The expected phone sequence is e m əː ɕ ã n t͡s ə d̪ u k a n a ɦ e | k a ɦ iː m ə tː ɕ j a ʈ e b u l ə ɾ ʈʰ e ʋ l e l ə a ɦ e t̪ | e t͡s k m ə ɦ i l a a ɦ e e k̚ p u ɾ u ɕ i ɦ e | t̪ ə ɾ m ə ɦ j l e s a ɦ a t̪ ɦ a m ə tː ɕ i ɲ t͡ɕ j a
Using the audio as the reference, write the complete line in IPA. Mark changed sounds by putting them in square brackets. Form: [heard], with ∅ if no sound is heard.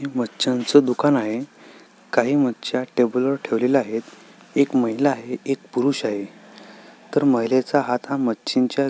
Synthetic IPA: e m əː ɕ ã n t͡s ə d̪ u k a n a ɦ e | k a ɦ iː m ə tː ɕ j a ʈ e b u l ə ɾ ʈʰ e ʋ l e l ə a ɦ e t̪ | e [∅] k m ə ɦ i l a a ɦ e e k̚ p u ɾ u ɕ [a] ɦ e | t̪ ə ɾ m ə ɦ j l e [t͡s] a ɦ a t̪ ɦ a m ə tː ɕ i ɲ t͡ɕ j a